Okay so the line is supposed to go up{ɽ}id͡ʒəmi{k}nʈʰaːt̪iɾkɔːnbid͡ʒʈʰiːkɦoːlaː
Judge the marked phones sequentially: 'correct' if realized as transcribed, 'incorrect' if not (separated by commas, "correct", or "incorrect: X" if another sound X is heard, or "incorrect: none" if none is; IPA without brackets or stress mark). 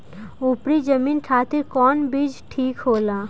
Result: incorrect: ɾ, incorrect: none